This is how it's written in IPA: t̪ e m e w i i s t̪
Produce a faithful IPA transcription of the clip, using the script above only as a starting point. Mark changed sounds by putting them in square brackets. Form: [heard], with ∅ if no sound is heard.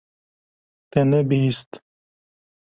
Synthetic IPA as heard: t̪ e [n] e [b] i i s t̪